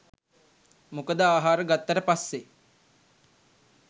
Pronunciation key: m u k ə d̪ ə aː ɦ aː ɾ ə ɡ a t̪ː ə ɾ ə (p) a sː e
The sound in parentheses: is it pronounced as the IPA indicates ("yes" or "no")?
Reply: yes